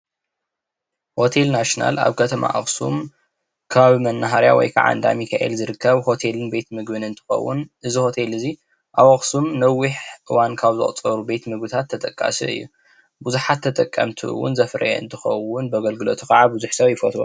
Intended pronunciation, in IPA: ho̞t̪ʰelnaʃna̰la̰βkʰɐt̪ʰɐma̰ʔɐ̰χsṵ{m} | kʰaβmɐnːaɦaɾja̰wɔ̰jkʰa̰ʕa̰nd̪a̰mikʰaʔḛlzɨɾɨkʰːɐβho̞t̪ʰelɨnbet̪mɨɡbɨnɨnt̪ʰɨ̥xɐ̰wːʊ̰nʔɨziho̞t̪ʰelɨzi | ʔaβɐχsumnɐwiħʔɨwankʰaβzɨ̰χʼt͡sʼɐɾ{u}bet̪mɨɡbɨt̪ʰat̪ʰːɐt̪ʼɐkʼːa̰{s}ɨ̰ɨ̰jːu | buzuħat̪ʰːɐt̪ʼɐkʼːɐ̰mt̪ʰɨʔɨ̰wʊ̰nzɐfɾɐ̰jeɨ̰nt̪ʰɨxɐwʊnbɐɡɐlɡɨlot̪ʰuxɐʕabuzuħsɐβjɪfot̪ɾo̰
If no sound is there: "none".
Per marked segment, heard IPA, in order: m, u, s

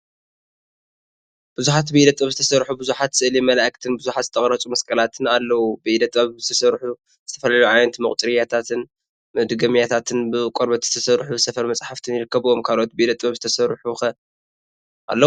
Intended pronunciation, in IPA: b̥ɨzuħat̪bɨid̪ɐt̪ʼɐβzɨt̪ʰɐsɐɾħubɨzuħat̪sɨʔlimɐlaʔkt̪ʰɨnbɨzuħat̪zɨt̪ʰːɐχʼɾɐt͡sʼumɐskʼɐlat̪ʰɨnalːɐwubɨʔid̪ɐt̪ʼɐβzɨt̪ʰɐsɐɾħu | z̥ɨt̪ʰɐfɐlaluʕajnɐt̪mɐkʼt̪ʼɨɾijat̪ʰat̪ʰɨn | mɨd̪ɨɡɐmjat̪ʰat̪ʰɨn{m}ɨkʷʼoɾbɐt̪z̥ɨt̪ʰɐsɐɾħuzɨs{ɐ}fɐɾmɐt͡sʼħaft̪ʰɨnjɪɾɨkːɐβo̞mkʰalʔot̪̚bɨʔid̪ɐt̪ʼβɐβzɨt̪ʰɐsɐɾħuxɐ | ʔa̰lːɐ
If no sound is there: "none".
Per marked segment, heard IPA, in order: b, ɐ

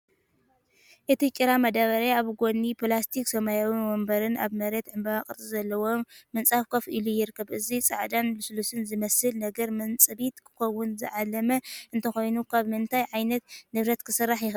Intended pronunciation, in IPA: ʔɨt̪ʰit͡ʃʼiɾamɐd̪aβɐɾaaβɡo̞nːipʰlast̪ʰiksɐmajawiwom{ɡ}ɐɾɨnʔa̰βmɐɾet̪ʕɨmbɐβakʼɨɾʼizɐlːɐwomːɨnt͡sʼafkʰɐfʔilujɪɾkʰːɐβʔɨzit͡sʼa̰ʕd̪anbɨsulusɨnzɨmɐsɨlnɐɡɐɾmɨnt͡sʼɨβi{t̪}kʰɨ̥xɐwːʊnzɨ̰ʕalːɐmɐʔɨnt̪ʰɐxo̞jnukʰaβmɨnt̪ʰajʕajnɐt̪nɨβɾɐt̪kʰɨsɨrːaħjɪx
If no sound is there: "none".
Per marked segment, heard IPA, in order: b, t̪

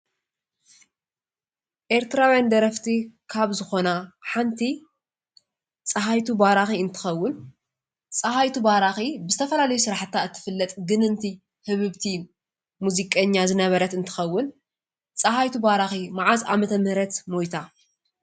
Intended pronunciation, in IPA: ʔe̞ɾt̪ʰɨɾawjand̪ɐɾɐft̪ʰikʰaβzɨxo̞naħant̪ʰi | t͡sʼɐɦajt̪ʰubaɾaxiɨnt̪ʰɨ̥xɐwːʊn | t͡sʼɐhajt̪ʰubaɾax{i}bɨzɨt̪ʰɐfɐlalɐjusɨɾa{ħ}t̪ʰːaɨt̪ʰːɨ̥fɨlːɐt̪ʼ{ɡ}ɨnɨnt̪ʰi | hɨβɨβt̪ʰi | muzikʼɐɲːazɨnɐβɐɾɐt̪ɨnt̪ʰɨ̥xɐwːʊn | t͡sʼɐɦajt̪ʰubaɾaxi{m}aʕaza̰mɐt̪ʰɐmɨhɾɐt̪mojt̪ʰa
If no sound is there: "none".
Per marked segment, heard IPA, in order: i, ħ, ɡ, m

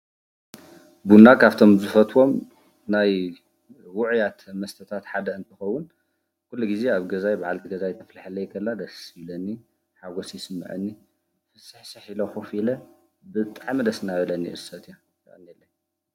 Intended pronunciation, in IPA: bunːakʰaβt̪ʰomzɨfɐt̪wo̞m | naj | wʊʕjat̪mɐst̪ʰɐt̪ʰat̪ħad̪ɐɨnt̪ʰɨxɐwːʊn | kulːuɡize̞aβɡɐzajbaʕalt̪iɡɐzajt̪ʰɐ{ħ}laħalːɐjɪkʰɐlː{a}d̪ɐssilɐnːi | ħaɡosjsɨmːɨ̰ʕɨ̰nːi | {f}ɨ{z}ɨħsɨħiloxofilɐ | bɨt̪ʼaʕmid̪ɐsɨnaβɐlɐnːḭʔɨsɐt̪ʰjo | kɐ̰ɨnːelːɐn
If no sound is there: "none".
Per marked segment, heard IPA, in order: f, a, f, s

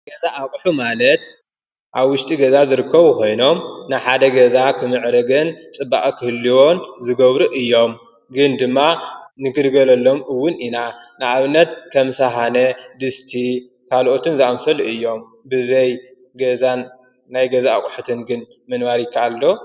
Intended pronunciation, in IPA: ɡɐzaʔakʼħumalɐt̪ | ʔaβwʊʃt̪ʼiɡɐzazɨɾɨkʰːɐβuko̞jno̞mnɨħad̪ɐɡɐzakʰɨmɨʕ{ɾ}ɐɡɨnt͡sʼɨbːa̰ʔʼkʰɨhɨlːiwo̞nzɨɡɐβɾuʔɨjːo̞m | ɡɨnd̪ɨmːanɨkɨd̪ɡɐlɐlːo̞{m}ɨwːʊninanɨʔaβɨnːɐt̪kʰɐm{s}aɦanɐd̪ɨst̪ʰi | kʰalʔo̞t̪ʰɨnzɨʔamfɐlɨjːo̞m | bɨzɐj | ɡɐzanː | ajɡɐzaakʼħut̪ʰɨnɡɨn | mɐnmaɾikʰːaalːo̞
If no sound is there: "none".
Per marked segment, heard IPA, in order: ɾ, m, s

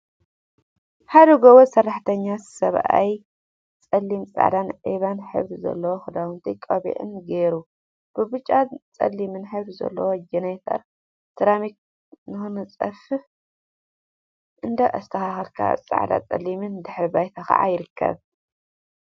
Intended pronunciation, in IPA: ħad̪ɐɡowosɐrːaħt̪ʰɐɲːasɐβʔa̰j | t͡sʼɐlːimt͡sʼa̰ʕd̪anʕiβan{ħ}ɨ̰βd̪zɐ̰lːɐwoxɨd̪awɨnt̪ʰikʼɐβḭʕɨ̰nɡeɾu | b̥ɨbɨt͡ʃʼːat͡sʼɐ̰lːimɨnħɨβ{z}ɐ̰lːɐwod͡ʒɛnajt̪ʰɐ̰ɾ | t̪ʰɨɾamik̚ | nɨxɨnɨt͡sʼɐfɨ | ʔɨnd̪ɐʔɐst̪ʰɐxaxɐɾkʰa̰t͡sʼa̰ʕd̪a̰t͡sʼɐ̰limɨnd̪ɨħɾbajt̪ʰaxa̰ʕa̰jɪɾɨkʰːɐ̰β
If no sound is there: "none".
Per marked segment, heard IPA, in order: ħ, z

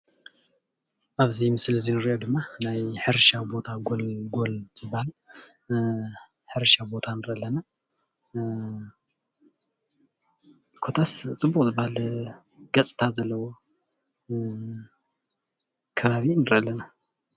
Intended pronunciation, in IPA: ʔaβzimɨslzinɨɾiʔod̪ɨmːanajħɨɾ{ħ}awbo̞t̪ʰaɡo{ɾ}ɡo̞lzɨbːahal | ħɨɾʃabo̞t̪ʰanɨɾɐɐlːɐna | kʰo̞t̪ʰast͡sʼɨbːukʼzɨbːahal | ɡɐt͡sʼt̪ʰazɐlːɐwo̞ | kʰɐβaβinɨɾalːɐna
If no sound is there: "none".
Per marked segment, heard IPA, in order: ʃ, l

